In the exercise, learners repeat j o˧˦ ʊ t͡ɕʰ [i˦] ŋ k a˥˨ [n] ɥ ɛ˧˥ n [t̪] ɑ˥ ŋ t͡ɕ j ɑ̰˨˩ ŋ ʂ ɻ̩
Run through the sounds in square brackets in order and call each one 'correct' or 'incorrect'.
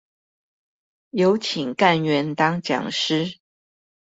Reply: incorrect: i˨˩, correct, correct

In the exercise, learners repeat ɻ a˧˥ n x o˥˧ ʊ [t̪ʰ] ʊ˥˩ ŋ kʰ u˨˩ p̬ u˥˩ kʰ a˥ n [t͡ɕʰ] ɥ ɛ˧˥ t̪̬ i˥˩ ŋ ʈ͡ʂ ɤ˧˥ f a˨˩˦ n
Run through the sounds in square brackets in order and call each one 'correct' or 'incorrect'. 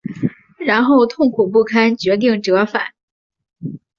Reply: correct, incorrect: t͡ɕ

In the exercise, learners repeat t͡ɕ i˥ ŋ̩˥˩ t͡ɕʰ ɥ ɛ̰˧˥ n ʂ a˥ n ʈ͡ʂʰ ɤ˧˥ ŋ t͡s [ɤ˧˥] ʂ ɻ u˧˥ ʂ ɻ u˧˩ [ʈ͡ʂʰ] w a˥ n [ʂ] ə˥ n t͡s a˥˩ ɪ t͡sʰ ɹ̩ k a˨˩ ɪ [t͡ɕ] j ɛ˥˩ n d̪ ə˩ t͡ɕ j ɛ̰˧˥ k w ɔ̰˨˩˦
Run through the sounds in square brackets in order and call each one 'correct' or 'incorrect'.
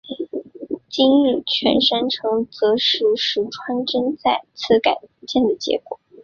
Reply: correct, correct, incorrect: ʈ͡ʂ, correct

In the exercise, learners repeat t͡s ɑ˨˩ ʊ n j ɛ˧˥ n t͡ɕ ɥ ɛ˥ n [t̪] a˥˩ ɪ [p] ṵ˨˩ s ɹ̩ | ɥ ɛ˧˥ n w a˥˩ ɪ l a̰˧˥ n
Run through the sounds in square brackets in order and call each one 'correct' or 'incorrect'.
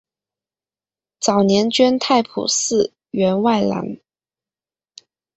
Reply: incorrect: t̪ʰ, incorrect: pʰ

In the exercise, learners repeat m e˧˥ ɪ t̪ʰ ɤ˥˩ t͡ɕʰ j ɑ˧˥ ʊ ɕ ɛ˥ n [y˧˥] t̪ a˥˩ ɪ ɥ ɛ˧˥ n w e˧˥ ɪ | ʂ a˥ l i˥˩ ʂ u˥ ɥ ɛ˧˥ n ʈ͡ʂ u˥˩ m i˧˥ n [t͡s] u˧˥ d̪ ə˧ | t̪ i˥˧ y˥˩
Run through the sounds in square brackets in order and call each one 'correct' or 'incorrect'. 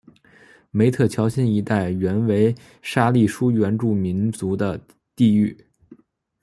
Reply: incorrect: i˧˥, correct

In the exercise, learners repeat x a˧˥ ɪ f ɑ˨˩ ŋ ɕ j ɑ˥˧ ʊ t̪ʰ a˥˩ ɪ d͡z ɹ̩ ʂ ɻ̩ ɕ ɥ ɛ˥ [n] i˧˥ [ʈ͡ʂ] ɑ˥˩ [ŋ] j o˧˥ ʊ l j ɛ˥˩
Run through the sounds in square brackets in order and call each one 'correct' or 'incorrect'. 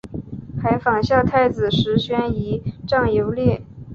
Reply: correct, correct, correct

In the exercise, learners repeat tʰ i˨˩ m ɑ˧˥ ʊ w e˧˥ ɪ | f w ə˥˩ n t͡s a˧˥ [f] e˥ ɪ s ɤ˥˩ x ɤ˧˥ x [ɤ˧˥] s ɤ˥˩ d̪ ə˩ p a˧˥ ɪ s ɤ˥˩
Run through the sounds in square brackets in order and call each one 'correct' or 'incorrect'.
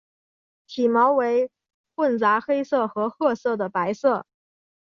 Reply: incorrect: x, incorrect: ɤ˥˧

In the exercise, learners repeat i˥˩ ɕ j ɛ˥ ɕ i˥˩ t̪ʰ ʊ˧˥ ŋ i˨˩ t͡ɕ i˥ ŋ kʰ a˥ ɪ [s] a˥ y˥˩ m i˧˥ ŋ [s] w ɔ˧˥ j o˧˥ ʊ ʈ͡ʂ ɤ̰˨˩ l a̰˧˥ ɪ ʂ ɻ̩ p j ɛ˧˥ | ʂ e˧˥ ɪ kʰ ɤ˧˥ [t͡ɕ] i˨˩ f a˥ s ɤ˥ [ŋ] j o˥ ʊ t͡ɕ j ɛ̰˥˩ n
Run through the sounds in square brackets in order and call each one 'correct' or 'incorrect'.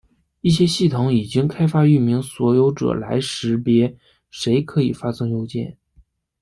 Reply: incorrect: f, correct, incorrect: none, correct

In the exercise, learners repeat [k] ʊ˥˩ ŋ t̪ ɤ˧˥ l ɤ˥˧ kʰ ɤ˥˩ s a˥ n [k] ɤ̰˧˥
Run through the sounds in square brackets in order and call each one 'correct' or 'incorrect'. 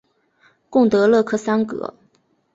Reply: correct, correct

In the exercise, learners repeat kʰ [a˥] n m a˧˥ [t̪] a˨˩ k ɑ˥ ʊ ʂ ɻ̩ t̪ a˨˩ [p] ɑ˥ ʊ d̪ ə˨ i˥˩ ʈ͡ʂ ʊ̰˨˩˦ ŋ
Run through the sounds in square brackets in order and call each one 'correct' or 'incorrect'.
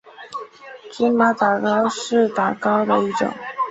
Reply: incorrect: i˥, correct, incorrect: k

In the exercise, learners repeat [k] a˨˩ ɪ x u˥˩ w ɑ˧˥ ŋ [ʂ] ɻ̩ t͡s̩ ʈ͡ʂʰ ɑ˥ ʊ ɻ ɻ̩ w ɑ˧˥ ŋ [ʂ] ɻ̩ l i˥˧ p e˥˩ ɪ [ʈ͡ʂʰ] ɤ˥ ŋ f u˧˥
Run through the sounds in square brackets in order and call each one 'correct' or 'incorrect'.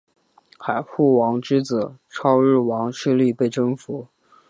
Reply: incorrect: x, incorrect: ʈ͡ʂ, correct, incorrect: ʈ͡ʂ

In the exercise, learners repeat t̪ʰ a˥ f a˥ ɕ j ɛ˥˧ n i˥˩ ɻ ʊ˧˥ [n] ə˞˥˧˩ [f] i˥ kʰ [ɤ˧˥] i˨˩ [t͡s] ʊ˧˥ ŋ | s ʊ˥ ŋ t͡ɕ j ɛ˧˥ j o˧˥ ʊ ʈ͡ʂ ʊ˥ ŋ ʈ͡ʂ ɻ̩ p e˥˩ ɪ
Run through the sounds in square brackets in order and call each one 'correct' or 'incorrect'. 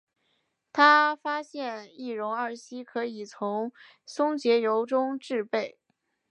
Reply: incorrect: ŋ, incorrect: ɕ, correct, incorrect: t͡sʰ

